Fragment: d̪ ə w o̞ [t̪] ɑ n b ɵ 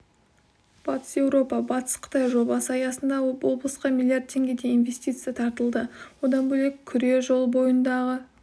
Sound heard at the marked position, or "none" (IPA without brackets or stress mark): d̪